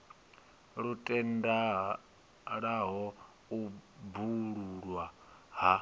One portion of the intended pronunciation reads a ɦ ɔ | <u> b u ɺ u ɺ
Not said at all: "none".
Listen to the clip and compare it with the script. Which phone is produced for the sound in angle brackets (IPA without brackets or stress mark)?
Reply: u